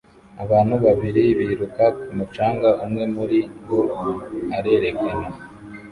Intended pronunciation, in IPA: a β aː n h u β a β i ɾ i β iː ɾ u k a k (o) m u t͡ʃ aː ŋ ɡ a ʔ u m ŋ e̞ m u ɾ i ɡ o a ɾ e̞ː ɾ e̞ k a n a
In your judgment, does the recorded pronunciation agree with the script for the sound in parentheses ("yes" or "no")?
no